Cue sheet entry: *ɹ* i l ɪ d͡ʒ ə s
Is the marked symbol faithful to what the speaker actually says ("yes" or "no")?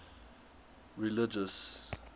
yes